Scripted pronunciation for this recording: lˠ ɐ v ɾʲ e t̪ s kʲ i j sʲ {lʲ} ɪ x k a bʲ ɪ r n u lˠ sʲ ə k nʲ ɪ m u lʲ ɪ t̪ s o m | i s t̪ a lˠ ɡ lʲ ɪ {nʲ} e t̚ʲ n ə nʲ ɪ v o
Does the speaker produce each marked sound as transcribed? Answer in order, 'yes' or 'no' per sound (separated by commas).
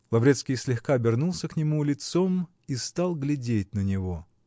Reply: yes, no